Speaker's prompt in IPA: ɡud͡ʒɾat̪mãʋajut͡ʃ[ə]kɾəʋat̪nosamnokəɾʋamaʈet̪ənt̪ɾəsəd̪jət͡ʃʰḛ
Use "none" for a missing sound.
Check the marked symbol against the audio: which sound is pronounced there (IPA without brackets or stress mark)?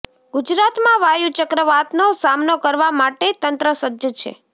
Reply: ə